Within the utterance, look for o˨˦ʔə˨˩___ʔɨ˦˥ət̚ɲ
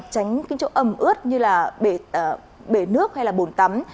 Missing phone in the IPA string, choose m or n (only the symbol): m